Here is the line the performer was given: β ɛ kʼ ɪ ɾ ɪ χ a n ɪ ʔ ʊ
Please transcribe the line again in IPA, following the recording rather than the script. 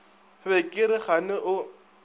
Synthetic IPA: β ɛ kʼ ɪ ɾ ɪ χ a n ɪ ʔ ʊ